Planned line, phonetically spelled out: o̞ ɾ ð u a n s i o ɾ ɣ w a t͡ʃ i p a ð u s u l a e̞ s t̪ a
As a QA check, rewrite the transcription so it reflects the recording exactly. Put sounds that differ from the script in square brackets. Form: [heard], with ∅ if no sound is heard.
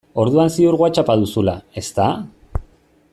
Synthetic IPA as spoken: o̞ ɾ ð u a n s i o ɾ ɣ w a t͡ʃ [a] p a ð u s u l a e̞ s t̪ a